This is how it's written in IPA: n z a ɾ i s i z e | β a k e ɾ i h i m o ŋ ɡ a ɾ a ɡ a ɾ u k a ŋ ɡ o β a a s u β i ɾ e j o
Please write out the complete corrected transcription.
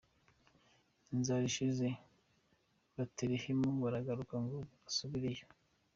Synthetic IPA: n z a ɾ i ʃ i z e | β a t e ɾ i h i m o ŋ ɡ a ɾ a ɡ a ɾ u k a ŋ ɡ o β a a s u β i ɾ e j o